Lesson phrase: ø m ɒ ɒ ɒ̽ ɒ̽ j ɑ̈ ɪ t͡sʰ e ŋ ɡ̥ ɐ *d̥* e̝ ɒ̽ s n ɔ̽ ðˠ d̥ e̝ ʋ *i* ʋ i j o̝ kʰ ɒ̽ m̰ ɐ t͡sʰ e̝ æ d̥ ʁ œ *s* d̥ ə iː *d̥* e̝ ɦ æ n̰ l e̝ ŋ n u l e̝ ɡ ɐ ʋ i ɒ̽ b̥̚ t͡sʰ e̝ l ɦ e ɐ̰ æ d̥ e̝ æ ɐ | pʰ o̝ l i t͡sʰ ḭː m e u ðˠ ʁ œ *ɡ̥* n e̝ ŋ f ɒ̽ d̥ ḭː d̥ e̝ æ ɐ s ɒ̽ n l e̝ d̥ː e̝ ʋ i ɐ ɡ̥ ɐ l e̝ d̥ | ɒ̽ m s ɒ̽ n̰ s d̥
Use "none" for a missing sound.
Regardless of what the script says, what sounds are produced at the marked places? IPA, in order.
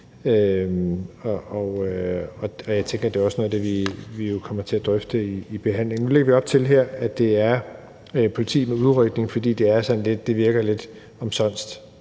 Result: d̥, i, f, b̥, ɡ̥

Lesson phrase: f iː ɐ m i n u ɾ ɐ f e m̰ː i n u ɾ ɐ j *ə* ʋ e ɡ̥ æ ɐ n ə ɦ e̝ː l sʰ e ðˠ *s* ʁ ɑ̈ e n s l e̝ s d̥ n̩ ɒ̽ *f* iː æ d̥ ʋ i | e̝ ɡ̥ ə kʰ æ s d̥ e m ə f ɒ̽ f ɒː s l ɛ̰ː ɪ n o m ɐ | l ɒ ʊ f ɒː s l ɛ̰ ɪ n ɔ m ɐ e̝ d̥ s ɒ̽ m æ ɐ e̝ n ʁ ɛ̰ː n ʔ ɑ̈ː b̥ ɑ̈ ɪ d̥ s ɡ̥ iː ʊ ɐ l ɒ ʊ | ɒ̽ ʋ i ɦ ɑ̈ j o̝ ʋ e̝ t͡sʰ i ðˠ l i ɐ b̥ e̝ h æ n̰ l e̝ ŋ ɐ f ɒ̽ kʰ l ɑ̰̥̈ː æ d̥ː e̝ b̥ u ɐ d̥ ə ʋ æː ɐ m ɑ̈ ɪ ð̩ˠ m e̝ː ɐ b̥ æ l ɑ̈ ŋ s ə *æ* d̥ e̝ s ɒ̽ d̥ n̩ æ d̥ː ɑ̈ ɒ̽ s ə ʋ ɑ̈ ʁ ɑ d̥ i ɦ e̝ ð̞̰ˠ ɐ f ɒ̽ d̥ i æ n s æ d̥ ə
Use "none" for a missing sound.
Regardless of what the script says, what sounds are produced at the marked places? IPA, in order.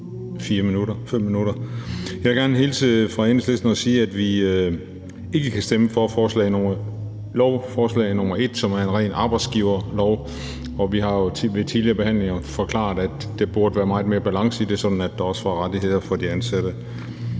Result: ɑ, f, s, i

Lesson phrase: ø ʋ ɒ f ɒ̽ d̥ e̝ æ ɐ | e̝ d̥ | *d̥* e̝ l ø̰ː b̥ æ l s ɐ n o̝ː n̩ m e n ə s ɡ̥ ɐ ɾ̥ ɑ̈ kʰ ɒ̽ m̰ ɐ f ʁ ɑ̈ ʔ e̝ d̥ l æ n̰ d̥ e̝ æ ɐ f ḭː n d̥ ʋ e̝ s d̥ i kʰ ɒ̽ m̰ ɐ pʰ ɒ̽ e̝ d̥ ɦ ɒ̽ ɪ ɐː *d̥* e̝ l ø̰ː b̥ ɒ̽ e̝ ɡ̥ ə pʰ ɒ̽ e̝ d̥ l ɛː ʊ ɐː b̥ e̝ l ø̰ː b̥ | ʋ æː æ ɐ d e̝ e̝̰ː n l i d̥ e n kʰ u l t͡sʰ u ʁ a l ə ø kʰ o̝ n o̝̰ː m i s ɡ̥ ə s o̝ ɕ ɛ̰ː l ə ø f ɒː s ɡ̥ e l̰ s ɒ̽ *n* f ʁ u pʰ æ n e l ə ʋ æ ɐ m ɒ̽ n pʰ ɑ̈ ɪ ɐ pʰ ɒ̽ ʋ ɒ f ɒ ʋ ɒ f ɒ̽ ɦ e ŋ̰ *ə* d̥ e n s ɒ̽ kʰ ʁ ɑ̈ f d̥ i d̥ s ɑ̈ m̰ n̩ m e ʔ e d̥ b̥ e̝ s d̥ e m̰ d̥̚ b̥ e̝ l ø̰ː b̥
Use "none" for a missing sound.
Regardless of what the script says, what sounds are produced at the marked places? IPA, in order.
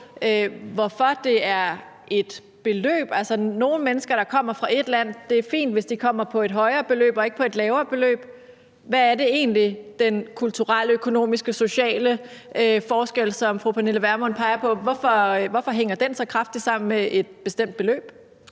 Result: b̥, b̥, m, ɐ

